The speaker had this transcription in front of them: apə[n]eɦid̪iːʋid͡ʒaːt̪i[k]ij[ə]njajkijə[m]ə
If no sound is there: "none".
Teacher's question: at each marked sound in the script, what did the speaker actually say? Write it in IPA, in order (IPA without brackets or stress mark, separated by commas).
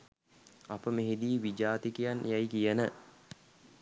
m, k, a, n